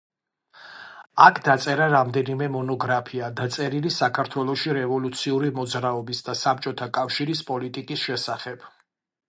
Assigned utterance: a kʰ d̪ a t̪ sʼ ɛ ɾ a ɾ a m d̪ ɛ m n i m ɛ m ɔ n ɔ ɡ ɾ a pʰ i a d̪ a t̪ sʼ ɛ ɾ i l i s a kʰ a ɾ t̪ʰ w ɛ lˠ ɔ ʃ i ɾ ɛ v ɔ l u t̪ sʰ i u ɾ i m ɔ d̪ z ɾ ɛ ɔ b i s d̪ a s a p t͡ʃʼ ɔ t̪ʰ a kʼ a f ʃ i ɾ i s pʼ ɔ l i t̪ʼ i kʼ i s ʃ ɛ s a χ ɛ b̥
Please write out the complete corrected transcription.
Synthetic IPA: a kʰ d̪ a t̪ sʼ ɛ ɾ a ɾ a m d̪ ɛ n i m ɛ m ɔ n ɔ ɡ ɾ a pʰ i a d̪ a t̪ sʼ ɛ ɾ i l i s a kʰ a ɾ t̪ʰ w ɛ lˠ ɔ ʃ i ɾ ɛ v ɔ l u t̪ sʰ i u ɾ i m ɔ d̪ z ɾ a ɔ b i s d̪ a s a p t͡ʃʼ ɔ t̪ʰ a kʼ a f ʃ i ɾ i s pʼ ɔ l i t̪ʼ i kʼ i s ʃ ɛ s a χ ɛ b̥